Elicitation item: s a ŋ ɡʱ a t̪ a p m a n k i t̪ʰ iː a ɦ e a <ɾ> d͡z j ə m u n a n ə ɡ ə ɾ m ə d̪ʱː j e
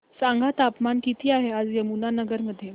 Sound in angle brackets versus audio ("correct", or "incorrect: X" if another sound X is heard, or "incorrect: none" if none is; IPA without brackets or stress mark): incorrect: none